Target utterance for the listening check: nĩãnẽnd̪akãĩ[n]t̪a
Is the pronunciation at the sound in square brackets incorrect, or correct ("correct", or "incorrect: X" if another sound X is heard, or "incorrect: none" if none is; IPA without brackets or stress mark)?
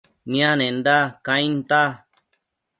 correct